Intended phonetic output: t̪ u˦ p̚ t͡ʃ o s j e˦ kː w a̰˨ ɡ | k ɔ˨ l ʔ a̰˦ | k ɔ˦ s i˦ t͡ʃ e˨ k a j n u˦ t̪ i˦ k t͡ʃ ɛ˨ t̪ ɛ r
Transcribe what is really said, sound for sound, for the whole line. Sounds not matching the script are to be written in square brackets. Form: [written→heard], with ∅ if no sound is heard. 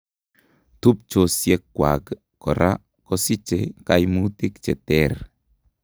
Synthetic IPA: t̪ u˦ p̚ t͡ʃ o s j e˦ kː w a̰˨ ɡ | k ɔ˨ [l→ɾ] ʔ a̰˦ | k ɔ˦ s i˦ t͡ʃ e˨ k a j [n→m] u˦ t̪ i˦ k t͡ʃ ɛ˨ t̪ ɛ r